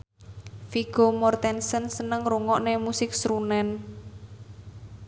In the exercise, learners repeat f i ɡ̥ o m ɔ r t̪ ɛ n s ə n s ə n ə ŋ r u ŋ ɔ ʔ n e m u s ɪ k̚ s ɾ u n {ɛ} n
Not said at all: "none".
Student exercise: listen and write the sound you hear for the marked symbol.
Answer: ɛ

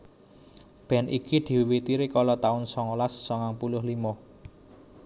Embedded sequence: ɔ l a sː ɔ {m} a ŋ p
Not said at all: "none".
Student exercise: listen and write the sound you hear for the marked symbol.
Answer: ŋ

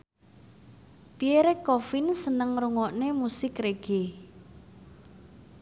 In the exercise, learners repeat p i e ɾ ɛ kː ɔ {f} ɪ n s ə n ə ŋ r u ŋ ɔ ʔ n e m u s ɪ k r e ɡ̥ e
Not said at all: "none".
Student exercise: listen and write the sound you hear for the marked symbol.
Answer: f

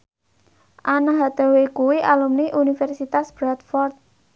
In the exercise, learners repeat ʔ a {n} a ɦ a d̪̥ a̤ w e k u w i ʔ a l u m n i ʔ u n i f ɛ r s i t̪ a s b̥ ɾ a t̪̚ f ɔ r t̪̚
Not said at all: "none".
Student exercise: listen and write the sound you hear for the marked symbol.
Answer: n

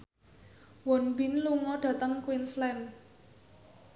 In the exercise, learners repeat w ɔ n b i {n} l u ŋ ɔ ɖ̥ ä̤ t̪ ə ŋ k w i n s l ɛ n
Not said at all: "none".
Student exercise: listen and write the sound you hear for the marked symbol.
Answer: n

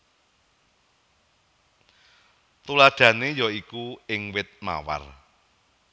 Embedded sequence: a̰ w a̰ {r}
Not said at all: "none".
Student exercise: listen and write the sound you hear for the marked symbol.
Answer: r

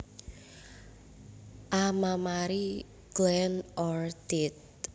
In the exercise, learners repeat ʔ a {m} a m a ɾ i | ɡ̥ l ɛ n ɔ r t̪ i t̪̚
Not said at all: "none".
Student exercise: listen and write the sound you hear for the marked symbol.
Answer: m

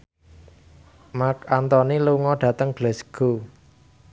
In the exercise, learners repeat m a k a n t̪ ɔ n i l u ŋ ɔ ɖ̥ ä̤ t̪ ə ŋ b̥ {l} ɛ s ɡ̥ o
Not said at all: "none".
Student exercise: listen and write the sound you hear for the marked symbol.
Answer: l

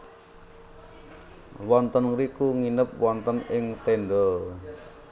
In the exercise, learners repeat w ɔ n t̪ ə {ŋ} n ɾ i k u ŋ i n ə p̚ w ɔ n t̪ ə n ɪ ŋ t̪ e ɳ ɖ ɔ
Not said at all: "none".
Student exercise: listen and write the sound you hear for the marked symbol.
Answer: none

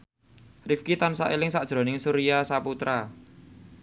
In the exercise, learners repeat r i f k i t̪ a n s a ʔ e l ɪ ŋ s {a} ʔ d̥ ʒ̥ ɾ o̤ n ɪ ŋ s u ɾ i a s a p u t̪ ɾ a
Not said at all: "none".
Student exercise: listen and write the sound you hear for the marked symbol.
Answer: a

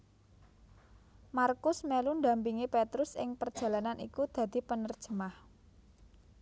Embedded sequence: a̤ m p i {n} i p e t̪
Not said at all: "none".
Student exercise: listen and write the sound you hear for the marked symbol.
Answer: ŋ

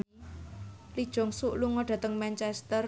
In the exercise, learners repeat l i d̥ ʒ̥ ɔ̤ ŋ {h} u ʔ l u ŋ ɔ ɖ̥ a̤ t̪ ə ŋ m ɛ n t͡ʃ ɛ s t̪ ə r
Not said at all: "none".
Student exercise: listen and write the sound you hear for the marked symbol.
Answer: s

